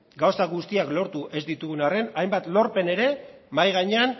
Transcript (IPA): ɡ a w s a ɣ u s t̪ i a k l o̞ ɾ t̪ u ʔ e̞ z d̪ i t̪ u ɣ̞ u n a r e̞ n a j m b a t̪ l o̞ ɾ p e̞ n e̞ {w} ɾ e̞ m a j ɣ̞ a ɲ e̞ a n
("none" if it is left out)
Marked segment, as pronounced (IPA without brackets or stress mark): none